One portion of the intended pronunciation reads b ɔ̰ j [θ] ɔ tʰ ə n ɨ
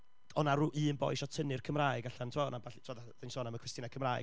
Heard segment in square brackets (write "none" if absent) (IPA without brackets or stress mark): ʃ